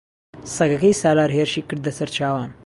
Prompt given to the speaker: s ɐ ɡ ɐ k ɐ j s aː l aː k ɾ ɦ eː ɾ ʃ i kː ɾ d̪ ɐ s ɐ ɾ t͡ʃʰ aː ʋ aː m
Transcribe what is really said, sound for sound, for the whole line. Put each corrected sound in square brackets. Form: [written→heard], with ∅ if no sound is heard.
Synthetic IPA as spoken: s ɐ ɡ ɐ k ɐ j s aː l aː [k→∅] ɾ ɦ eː ɾ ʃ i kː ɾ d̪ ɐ s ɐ ɾ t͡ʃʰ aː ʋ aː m